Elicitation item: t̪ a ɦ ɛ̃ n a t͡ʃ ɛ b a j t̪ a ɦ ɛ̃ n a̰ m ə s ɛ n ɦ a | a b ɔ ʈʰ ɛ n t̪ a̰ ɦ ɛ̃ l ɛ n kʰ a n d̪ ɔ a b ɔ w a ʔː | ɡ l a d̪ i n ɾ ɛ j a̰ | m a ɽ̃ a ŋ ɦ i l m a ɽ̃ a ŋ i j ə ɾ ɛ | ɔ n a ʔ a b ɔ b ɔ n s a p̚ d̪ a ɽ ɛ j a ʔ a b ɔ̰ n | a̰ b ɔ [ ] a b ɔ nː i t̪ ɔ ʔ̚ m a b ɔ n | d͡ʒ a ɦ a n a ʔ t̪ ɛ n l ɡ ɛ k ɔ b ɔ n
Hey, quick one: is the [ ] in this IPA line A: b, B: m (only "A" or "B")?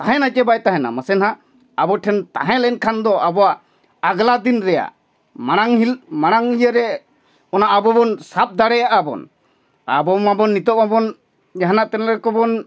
B